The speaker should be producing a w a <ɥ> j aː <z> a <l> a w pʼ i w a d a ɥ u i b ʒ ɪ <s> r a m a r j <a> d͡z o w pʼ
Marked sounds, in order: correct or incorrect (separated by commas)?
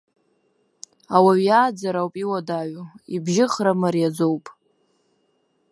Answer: correct, incorrect, incorrect, incorrect, correct